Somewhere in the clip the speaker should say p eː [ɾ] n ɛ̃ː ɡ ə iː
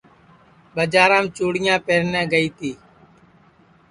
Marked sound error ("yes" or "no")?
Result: no